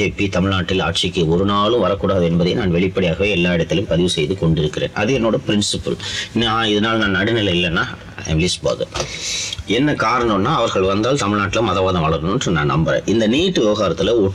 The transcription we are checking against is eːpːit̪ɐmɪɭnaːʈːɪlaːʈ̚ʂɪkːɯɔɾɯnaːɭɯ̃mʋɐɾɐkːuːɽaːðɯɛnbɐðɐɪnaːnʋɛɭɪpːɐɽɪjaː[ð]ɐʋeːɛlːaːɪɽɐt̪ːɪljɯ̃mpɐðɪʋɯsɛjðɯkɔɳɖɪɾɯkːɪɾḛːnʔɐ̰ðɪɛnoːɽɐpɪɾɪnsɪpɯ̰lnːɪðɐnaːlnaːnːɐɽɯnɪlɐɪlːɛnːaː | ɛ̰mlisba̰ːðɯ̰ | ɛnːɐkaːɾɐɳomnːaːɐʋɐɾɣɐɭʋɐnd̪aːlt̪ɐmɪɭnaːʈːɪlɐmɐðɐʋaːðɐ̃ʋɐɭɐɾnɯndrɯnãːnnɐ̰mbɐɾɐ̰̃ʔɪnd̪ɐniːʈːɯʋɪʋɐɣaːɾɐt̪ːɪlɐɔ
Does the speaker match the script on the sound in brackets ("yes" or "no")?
no